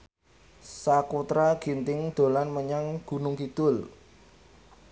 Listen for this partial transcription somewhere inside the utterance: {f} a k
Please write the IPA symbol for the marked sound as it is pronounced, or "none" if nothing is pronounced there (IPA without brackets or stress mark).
s